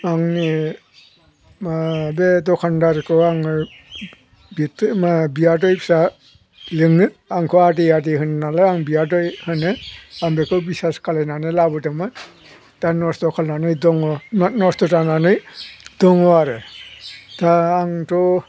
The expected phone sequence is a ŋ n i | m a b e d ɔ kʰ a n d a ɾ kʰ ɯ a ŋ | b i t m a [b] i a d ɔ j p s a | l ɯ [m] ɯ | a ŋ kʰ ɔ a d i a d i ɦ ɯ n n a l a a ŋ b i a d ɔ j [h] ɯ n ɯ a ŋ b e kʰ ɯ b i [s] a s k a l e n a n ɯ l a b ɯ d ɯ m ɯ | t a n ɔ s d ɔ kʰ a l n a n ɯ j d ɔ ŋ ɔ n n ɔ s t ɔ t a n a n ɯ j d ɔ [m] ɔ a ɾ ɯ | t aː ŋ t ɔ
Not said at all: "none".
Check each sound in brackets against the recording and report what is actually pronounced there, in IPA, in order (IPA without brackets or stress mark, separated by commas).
b, ŋ, h, s, ŋ